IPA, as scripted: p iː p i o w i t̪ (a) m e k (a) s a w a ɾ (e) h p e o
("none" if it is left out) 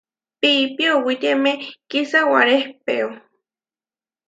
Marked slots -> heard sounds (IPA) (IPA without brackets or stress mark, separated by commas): e, i, e